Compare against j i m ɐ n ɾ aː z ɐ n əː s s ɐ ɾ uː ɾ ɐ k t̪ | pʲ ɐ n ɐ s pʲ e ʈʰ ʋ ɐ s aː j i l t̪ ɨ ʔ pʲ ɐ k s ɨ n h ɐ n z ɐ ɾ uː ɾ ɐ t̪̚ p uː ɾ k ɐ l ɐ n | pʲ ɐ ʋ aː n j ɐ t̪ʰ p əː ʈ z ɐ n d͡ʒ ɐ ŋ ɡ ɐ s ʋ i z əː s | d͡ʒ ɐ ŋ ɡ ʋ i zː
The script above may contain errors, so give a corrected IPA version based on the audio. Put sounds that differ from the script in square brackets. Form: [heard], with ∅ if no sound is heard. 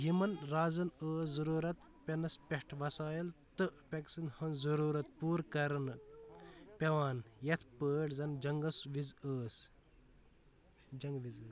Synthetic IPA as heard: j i m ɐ n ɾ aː z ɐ n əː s [z] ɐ ɾ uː ɾ ɐ [∅] t̪ | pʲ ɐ n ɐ s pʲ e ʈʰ ʋ ɐ s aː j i l t̪ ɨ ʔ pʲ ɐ k s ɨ n h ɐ n z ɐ ɾ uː ɾ ɐ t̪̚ p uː ɾ k ɐ [ɾ] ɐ n | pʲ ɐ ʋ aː n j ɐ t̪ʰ p əː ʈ z ɐ n d͡ʒ ɐ ŋ ɡ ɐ s ʋ i z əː s | d͡ʒ ɐ ŋ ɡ ʋ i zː